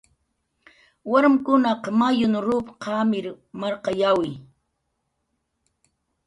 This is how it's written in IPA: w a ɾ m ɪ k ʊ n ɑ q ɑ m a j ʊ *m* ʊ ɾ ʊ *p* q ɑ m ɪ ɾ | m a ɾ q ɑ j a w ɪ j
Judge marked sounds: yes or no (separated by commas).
no, yes